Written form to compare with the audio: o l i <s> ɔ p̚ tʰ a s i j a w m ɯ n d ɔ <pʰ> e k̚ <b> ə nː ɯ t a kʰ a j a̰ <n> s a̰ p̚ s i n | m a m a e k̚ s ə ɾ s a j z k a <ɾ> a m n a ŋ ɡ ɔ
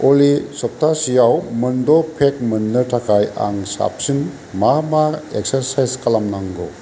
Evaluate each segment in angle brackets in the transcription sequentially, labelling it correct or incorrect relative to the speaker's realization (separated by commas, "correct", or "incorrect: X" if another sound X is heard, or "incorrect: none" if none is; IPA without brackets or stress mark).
correct, correct, incorrect: m, incorrect: ŋ, incorrect: l